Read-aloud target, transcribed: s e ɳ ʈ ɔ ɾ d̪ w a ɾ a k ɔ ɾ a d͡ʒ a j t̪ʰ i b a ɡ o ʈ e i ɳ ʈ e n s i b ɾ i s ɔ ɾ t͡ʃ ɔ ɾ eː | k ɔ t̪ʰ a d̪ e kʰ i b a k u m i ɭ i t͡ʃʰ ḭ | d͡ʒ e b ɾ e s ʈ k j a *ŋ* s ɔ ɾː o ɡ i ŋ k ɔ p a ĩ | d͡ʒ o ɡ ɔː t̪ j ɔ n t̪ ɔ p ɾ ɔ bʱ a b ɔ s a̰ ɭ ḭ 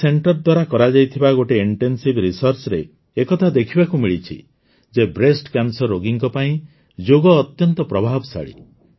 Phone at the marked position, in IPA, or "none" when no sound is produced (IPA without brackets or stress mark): n